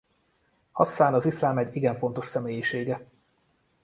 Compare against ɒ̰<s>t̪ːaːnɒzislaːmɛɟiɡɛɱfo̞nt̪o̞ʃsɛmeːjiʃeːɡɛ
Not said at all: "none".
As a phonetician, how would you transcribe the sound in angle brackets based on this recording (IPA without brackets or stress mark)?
s